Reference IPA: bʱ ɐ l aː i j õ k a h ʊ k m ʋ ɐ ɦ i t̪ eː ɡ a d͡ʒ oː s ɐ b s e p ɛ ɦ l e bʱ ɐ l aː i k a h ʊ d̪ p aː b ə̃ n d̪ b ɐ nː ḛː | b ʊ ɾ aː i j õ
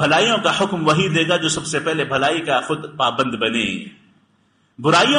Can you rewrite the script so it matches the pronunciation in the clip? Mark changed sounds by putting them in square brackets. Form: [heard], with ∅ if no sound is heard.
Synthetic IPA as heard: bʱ ɐ l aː i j õ k a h ʊ k m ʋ ɐ ɦ i [d̪] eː ɡ a d͡ʒ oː s ɐ b s e p ɛ ɦ l e bʱ ɐ l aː i k a [x] ʊ d̪ p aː b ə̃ n d̪ b ɐ [n] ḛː | b ʊ ɾ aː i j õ